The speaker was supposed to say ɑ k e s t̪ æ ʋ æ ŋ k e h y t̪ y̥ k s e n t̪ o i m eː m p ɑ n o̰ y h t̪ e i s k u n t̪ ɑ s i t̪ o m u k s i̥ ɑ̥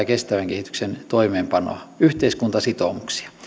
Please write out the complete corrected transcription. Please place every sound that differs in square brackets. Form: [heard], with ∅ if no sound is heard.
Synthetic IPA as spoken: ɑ k e s t̪ æ ʋ æ ŋ k e h [i] t̪ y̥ k s e n t̪ o i m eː m p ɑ n o̰ y h t̪ e i s k u n t̪ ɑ s i t̪ o m u k s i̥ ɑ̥